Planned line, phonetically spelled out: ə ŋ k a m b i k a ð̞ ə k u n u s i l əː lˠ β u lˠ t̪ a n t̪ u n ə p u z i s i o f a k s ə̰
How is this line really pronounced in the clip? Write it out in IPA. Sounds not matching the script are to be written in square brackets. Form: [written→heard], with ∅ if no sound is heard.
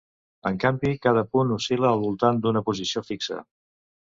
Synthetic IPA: ə ŋ k a m b i k a ð̞ ə [k→p] u n u s i l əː lˠ β u lˠ t̪ a n [t̪→d̪] u n ə p u z i s i o f [a→i] k s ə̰